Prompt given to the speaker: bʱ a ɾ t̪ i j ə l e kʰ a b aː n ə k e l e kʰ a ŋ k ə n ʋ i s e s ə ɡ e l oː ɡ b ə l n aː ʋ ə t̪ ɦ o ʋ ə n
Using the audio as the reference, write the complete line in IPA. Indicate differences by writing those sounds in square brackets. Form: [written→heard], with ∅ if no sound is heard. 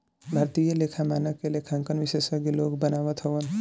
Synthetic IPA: bʱ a ɾ t̪ i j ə l e kʰ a [b→m] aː n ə k e l e kʰ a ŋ k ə n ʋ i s e s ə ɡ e l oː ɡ b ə [l→∅] n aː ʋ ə t̪ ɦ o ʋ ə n